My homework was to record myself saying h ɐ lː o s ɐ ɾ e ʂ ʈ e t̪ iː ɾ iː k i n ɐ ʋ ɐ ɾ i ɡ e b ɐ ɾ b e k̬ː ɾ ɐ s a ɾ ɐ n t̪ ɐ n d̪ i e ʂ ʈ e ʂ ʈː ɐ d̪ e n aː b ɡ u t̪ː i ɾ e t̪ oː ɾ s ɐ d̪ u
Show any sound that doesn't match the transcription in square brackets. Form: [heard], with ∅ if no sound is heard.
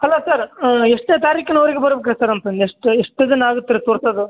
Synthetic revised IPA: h ɐ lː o s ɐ ɾ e ʂ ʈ e t̪ [aː] ɾ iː k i n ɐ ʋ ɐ ɾ i ɡ e b ɐ ɾ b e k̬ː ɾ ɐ s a ɾ ɐ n t̪ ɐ n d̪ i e ʂ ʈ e ʂ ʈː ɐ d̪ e n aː [∅] ɡ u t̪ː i ɾ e t̪ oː ɾ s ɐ d̪ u